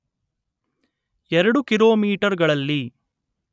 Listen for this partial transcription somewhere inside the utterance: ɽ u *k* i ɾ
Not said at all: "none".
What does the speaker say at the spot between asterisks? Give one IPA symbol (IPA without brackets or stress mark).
k